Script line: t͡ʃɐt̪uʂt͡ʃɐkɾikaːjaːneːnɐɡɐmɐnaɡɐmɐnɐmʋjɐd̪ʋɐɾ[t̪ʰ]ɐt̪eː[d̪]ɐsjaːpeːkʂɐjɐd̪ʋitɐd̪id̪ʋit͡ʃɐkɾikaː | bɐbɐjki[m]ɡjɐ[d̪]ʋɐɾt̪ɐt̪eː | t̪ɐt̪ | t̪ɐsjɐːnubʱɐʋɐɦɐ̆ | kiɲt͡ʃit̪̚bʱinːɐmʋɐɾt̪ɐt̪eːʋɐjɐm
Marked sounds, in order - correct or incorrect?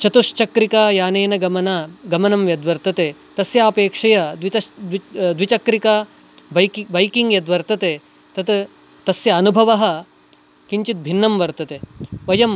incorrect, incorrect, incorrect, correct

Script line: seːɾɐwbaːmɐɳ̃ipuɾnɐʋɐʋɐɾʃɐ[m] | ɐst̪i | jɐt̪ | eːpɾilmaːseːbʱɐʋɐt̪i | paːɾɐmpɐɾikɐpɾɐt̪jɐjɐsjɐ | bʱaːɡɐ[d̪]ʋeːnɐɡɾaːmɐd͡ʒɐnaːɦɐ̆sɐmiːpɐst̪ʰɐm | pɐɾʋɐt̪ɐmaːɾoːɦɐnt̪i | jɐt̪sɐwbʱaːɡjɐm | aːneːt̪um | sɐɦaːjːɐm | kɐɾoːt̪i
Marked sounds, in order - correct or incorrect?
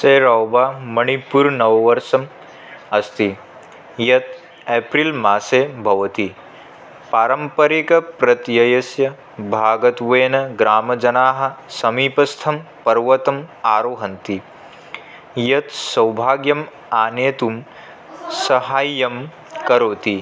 correct, incorrect

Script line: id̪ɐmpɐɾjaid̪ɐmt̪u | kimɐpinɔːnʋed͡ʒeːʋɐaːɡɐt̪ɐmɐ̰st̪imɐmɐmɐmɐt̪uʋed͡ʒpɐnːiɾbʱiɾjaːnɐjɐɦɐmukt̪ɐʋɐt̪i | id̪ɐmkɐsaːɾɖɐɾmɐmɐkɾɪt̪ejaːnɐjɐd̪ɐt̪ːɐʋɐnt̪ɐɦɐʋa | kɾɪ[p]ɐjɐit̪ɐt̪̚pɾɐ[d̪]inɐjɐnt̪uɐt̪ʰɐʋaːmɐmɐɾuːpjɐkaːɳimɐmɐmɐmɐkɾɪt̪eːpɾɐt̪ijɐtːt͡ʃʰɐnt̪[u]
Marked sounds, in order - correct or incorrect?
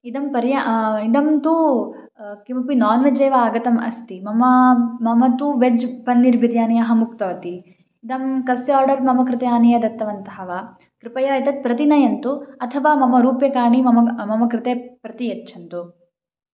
correct, incorrect, correct

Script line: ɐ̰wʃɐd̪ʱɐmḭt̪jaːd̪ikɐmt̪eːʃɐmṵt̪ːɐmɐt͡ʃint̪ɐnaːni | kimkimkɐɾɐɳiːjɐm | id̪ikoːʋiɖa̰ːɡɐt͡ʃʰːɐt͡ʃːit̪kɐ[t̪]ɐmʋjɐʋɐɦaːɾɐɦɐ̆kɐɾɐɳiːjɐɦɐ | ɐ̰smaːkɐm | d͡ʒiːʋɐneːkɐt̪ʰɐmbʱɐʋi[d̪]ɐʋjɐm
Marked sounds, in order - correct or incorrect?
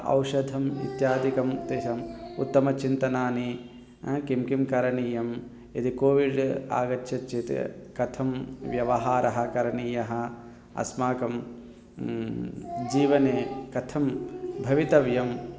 incorrect, incorrect

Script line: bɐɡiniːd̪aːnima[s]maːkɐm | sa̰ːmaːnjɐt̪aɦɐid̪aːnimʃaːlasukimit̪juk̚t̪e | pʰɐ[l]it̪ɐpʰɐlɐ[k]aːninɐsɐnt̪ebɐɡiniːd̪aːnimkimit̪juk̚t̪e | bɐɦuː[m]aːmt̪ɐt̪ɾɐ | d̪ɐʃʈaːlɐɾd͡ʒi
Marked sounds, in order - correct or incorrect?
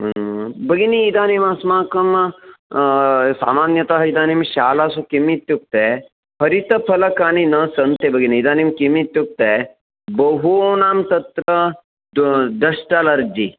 correct, incorrect, correct, incorrect

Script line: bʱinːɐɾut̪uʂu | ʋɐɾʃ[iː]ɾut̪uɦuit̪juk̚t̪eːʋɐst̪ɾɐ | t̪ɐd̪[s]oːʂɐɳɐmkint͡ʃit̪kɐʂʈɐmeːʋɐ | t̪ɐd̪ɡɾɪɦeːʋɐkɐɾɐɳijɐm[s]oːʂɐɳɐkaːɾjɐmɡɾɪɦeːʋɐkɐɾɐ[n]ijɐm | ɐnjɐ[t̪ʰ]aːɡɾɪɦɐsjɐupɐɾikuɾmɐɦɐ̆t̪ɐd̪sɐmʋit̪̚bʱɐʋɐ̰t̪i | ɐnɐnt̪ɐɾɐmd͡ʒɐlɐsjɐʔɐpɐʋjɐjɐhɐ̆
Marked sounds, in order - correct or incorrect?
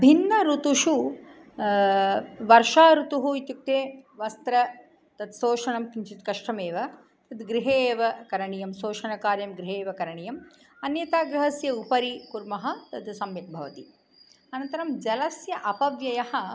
incorrect, correct, correct, incorrect, incorrect

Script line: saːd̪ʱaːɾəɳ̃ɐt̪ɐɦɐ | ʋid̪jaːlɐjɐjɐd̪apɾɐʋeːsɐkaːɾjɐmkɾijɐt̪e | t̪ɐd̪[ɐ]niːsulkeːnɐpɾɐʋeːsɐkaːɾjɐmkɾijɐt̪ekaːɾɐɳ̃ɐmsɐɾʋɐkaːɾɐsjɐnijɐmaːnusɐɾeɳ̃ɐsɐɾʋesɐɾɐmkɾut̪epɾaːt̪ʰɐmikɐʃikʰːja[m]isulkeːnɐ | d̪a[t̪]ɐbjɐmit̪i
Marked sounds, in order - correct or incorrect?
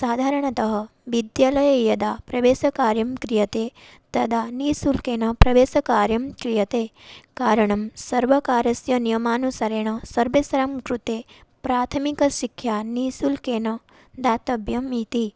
incorrect, incorrect, correct

